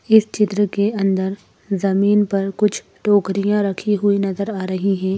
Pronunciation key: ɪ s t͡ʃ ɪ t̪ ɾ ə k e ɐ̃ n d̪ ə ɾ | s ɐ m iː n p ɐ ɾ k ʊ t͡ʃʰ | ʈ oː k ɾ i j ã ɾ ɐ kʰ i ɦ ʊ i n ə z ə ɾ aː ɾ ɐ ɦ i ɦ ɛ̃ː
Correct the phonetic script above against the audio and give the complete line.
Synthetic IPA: ɪ s t͡ʃ ɪ t̪ ɾ ə k e ɐ̃ n d̪ ə ɾ | z ɐ m iː n p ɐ ɾ k ʊ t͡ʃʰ | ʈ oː k ɾ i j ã ɾ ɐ kʰ i ɦ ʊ i n ɐ z ə ɾ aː ɾ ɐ ɦ i ɦ ɛ̃ː